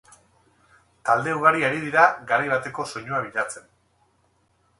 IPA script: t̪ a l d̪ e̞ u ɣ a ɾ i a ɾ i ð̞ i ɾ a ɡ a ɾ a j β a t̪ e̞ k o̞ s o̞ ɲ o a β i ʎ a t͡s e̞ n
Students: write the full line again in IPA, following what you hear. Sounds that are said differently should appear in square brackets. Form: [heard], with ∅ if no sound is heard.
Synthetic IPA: t̪ a l d̪ e̞ u ɣ a ɾ i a ɾ i ð̞ i ɾ a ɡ a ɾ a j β a t̪ e̞ k o̞ s o̞ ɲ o a β i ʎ a t͡s e̞ n